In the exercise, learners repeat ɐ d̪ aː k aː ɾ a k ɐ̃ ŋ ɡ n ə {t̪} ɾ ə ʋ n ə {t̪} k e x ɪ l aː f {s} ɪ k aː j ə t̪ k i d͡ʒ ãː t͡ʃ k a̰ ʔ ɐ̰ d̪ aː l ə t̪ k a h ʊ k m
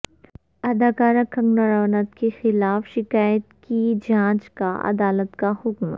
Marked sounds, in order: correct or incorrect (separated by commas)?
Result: incorrect, correct, incorrect